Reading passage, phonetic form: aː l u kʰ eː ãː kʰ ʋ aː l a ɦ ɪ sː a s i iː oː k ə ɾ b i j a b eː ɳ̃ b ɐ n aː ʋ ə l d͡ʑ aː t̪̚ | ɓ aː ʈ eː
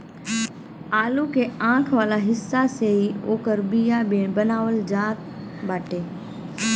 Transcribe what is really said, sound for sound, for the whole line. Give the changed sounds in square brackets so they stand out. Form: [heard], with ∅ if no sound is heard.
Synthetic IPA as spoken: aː l u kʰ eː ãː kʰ ʋ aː l a ɦ ɪ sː a s [e] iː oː k ə ɾ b i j a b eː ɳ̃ b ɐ n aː ʋ ə l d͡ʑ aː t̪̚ | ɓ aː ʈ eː